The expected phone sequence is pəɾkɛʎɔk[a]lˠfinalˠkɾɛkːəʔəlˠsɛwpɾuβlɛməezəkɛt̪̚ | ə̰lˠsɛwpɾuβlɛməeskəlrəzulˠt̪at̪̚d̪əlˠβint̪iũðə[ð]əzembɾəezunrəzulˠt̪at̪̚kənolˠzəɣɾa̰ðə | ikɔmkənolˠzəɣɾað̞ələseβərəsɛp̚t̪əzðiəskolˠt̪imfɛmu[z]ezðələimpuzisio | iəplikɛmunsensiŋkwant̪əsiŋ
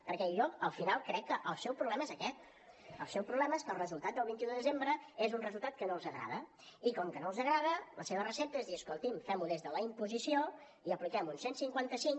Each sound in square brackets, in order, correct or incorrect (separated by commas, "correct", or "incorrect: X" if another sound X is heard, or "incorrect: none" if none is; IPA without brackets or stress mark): incorrect: ə, correct, incorrect: ð